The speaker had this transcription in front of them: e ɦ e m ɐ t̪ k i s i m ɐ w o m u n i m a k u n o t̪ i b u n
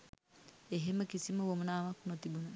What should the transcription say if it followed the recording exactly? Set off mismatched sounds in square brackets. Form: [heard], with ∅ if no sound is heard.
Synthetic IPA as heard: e ɦ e m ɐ [∅] k i s i m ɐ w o m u n [a] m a k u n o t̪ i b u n